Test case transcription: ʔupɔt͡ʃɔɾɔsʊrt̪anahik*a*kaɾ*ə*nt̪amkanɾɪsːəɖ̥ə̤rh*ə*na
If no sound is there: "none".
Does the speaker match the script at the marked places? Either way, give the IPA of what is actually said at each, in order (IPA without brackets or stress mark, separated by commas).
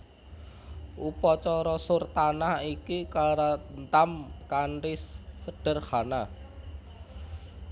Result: i, a, a